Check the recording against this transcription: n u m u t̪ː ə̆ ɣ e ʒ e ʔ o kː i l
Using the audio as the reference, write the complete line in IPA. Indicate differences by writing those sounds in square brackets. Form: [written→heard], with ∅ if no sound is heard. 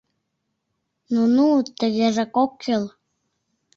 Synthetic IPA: n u [m→n] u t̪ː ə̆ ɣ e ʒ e [ʔ→k] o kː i l